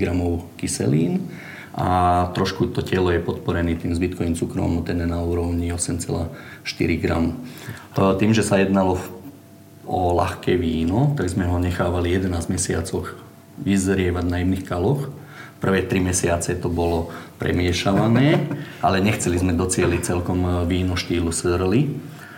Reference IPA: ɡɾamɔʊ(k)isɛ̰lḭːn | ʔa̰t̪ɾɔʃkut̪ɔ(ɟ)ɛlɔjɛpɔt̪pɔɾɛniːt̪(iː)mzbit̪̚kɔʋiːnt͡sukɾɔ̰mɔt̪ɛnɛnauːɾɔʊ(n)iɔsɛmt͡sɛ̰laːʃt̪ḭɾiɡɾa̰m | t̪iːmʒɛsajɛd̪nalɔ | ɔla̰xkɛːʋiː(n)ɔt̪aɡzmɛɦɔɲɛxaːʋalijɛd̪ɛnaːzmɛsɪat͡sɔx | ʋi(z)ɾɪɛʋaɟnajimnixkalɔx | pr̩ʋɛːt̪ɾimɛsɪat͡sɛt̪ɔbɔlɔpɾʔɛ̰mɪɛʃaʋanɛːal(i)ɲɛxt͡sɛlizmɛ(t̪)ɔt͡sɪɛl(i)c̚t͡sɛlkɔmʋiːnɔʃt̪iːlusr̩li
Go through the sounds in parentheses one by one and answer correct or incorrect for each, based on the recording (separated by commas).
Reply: correct, incorrect, correct, incorrect, correct, correct, incorrect, incorrect, correct